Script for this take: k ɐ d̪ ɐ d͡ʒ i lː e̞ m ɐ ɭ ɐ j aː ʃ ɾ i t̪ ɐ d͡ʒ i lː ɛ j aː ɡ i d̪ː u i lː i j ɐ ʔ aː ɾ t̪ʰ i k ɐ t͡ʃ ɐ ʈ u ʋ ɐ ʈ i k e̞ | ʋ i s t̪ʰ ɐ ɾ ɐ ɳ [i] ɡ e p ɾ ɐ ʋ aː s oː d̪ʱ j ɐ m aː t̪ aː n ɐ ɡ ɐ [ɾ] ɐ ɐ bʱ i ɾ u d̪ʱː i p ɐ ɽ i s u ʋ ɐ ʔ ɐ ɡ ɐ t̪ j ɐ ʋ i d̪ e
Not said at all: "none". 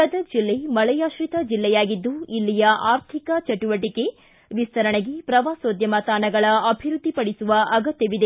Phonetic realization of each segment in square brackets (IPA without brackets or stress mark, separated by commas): e, ɭ